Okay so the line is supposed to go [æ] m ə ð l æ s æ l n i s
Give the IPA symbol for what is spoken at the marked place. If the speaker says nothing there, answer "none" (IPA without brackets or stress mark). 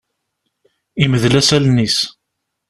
i